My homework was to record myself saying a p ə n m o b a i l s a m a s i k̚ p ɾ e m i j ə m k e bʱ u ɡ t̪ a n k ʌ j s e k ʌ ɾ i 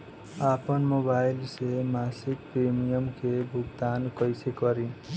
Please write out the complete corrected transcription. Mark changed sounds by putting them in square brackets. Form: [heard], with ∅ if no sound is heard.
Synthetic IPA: a p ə n m o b a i l s [e] m a s i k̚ p ɾ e m i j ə m k e bʱ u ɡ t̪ a n k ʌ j s e k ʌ ɾ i